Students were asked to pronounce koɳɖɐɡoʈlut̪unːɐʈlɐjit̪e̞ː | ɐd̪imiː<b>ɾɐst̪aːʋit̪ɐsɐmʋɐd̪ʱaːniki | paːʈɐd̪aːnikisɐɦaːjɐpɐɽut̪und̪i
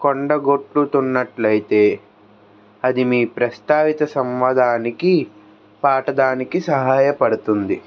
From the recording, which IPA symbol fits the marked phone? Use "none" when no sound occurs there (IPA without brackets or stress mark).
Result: p